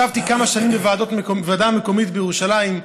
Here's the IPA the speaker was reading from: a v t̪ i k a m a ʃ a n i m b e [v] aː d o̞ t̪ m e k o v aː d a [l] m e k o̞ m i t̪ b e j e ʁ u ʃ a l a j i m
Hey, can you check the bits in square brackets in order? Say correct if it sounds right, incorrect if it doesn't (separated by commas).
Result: correct, incorrect